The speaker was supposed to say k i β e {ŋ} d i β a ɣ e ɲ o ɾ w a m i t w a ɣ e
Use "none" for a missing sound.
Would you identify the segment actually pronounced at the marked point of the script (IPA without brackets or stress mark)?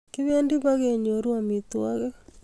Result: n